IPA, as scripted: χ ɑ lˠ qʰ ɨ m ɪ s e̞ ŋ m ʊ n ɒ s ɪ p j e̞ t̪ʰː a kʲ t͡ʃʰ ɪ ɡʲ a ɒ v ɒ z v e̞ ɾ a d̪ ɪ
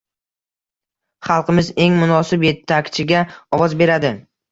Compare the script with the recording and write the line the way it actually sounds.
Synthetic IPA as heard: χ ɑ lˠ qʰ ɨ m ɪ z e̞ ŋ m ʊ n ɒ s ɪ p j e̞ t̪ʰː a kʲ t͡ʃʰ ɪ ɡʲ a ɒ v ɒ z b e̞ ɾ a d̪ ɪ